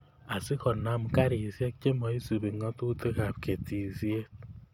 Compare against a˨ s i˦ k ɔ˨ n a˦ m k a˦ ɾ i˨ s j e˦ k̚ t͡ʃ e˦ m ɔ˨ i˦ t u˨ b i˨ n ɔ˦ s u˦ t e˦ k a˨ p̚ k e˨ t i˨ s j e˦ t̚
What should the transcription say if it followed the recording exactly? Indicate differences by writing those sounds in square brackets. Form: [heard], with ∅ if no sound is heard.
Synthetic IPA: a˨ s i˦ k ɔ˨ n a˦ m k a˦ ɾ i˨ s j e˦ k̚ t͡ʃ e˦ m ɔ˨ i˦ [s] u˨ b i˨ [ŋ] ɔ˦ [t] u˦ t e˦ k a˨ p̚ k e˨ t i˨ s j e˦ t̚